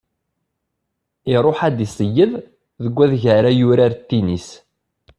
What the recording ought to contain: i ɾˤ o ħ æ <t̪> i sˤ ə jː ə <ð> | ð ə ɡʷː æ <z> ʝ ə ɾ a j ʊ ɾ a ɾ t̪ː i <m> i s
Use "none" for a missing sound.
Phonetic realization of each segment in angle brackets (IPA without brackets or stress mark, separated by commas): d̪, ð, ð, n